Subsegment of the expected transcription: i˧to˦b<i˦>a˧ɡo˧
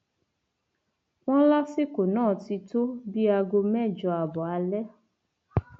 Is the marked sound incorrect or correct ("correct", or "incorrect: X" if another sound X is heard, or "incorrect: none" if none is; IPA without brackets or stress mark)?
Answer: correct